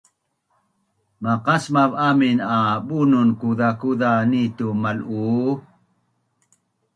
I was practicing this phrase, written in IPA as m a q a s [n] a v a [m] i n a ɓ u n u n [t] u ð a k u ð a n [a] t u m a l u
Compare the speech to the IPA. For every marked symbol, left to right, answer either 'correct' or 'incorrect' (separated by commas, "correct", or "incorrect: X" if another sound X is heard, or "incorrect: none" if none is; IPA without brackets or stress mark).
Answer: incorrect: m, correct, incorrect: k, incorrect: i